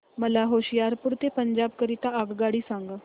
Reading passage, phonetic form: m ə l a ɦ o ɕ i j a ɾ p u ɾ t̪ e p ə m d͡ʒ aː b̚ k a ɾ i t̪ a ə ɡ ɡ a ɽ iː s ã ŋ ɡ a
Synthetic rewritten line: m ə l a ɦ o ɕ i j a ɾ p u ɾ t̪ e p ə ɲ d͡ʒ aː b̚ k ə ɾ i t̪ a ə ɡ ɡ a ɽ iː s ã ŋ ɡ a

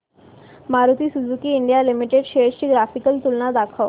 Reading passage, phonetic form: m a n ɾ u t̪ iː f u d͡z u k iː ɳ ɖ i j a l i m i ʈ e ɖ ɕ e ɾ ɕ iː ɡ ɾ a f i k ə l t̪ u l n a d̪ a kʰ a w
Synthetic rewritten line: m a ɾ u t̪ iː s u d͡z u k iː ɳ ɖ i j a l i m i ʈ e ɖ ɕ e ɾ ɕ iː ɡ ɾ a f i k ə l t̪ u l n a d̪ a kʰ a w

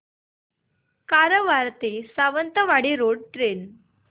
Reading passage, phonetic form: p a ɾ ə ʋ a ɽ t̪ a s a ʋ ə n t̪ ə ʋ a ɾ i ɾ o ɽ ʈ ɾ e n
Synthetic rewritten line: k a ɾ ə ʋ a ɾ t̪ e s a ʋ ə n t̪ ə ʋ a ɽ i ɾ o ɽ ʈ ɾ e n

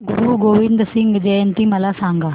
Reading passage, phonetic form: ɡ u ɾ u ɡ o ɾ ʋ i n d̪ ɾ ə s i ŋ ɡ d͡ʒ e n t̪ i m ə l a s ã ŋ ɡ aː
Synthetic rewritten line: ɡ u ɾ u ɡ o ʋ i n d̪ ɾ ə s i ŋ ɡ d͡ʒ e n t̪ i m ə l a s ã ŋ ɡ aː

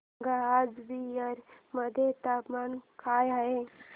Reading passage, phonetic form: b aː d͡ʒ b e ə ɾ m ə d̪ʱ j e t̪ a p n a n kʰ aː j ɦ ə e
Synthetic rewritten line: ɡ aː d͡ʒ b i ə ɾ m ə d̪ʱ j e t̪ a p m a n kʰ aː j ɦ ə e

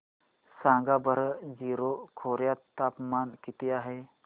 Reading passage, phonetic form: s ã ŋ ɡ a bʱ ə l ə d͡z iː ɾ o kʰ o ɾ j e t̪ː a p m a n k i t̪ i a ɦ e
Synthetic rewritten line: s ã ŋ ɡ a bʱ ə ɾ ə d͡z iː ɾ o kʰ o ɾ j a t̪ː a p m a n k i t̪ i a ɦ e

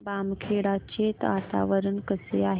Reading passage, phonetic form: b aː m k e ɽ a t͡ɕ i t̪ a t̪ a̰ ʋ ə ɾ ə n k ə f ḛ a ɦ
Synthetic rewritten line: b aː m kʰ e ɽ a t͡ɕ e t̪ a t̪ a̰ ʋ ə ɾ ə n k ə s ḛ a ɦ

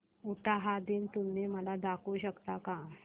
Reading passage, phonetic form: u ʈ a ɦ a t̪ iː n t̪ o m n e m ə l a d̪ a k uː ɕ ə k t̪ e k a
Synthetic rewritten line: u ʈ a ɦ a d̪ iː n t̪ u m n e m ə l a d̪ a k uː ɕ ə k t̪ a k a

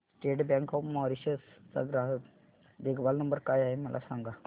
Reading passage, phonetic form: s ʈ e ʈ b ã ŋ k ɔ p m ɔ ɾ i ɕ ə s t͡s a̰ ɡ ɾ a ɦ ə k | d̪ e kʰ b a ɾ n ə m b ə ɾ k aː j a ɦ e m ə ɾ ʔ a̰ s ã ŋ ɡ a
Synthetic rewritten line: s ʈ e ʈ b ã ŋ k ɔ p m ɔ ɾ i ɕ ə s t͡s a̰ ɡ ɾ a ɦ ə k | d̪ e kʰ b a l n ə m b ə ɾ k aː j a ɦ e m ə l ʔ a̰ s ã ŋ ɡ a

